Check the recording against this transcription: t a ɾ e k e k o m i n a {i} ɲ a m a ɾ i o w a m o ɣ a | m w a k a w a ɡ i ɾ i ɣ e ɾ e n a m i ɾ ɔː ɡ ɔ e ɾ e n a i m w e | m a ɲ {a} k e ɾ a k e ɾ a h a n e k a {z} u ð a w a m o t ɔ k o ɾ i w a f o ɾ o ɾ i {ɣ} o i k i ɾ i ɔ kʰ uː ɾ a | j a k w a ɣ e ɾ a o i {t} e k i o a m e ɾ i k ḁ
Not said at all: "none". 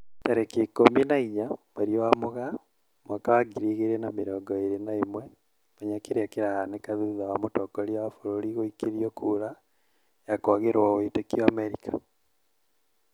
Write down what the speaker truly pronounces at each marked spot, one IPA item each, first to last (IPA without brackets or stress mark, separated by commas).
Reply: i, a, ð, ɣ, t